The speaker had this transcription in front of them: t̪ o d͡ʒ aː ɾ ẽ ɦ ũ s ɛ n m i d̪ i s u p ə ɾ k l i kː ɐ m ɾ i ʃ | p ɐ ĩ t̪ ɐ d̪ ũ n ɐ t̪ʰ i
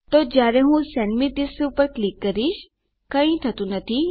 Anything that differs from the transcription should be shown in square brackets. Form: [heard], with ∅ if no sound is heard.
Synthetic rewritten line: t̪ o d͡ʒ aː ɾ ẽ ɦ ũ s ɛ n m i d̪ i s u p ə ɾ k l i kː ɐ [∅] ɾ i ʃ | [k] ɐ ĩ [t̪ʰ] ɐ [t̪] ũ n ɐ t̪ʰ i